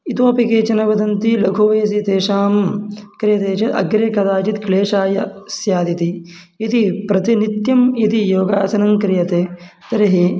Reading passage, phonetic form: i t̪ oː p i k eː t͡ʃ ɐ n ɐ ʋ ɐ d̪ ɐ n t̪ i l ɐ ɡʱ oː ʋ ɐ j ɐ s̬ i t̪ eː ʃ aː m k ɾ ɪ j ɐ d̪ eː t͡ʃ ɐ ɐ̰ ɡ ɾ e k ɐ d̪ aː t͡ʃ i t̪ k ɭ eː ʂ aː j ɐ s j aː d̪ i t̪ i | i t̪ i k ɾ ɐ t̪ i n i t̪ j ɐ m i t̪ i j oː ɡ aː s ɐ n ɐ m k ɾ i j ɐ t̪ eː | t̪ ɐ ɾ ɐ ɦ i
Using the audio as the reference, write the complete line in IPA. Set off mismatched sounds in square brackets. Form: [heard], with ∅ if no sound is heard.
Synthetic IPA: i t̪ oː p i k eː t͡ʃ ɐ n ɐ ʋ ɐ d̪ ɐ n t̪ i l ɐ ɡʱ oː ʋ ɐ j ɐ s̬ i t̪ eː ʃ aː m k ɾ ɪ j ɐ [t̪] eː t͡ʃ ɐ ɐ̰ ɡ ɾ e k ɐ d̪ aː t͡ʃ i t̪ k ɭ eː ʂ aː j ɐ s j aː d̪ i t̪ i | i t̪ i [p] ɾ ɐ t̪ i n i t̪ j ɐ m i t̪ i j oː ɡ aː s ɐ n ɐ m k ɾ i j ɐ t̪ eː | t̪ ɐ ɾ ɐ ɦ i